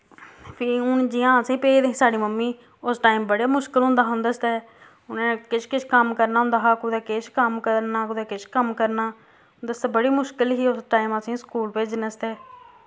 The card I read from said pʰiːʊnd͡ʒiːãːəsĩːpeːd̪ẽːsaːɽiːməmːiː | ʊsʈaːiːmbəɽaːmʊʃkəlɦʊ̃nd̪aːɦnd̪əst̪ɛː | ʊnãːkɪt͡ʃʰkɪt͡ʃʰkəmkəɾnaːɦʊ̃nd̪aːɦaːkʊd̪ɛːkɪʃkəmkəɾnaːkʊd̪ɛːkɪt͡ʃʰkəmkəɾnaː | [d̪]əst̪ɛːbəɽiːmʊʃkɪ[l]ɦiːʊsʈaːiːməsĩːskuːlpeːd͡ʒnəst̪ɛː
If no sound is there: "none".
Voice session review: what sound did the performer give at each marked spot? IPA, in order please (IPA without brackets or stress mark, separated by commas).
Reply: d̪, l